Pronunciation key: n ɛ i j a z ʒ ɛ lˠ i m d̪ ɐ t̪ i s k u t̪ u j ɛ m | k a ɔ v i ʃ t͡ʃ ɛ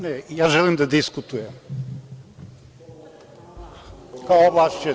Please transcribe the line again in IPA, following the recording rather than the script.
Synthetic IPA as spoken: n ɛ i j a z ʒ ɛ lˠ i m d̪ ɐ d̪ i s k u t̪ u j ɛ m | k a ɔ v a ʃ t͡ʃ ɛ